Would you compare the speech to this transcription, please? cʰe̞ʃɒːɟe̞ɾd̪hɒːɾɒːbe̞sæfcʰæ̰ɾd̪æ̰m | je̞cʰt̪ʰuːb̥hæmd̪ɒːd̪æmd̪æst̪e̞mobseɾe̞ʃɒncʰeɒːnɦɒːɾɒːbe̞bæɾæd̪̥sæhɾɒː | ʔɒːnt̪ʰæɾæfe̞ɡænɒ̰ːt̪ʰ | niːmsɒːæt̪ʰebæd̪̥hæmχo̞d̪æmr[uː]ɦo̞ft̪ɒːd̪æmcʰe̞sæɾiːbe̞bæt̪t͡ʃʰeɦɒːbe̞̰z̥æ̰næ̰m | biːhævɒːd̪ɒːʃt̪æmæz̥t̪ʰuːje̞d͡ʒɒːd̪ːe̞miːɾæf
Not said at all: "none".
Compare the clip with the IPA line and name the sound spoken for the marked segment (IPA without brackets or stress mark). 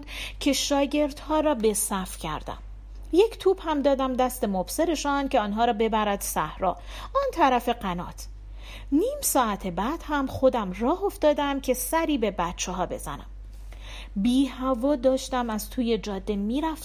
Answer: ɒː